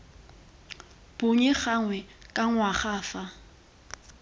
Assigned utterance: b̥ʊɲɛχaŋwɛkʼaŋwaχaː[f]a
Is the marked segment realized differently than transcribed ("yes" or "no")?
no